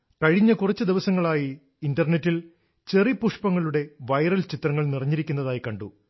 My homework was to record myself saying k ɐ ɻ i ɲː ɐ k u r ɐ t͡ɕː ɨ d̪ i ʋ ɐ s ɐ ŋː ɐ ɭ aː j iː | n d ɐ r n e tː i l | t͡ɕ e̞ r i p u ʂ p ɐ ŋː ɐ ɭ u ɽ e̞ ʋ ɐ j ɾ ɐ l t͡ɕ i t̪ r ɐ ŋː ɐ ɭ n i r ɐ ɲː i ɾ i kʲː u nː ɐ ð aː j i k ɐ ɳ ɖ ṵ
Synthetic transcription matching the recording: k ɐ ɻ i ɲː ɐ k u r ɐ t͡ɕː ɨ d̪ i ʋ ɐ s ɐ ŋː ɐ ɭ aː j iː | n d ɐ r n e tː i l | t͡ɕ e̞ r i p u ʂ p ɐ ŋː ɐ ɭ u ɽ e̞ ʋ ɐ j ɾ ɐ l t͡ɕ i t̪ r ɐ ŋː ɐ ɭ n i r ɐ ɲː i ɾ i kʲː u nː ɐ ð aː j i k ɐ ɳ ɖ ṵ